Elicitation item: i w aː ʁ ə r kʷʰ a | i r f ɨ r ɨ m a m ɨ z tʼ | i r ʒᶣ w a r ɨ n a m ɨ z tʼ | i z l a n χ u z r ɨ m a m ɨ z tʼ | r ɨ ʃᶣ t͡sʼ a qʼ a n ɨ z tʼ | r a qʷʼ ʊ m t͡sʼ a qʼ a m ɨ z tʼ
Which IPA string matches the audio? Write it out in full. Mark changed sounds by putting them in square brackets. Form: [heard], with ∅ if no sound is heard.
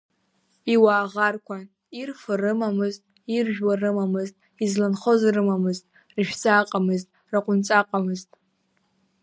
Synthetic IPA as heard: i w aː ʁ [a] r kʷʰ a | i r f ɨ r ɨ m a m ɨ z tʼ | i r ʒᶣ w a r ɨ [m] a m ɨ z tʼ | i z l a n χ [o] z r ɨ m a m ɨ z tʼ | r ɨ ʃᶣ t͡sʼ a qʼ a [m] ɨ z tʼ | r a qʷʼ ʊ [n] t͡sʼ a qʼ a m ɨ z tʼ